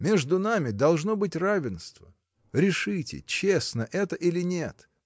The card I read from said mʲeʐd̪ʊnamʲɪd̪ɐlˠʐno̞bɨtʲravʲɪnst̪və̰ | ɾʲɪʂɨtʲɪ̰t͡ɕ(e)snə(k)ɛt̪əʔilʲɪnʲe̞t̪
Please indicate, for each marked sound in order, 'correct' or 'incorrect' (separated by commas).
correct, incorrect